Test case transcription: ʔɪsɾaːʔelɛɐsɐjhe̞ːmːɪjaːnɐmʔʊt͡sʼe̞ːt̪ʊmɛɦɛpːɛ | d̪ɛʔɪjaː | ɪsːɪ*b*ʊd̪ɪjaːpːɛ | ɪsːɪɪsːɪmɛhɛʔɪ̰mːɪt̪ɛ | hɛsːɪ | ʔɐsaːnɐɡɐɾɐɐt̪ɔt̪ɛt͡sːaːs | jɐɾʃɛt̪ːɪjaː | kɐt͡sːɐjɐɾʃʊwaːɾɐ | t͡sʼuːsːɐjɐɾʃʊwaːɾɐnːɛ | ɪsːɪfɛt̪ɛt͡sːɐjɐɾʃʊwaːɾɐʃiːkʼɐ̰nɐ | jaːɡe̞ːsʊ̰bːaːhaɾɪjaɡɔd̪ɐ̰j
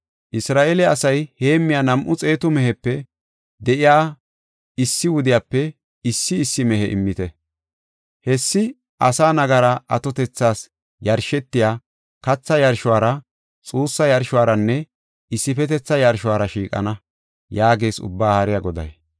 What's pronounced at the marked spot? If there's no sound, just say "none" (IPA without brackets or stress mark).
w